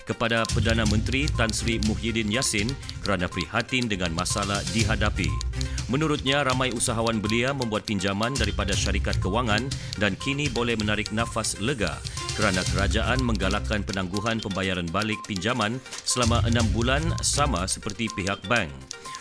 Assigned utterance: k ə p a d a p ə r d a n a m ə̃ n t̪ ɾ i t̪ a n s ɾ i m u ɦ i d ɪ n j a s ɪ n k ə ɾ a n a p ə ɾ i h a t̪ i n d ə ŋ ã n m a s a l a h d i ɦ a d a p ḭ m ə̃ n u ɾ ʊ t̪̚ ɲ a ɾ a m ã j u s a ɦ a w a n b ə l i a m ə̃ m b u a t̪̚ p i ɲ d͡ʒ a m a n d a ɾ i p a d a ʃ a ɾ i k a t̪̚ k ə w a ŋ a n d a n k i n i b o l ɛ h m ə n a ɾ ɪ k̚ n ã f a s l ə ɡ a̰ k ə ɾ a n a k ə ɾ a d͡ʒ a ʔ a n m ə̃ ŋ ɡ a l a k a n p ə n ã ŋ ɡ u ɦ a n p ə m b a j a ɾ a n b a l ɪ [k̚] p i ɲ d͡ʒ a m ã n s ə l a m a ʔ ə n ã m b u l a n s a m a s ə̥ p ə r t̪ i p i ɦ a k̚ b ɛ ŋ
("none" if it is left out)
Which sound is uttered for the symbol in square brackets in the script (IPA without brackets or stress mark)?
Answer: k̚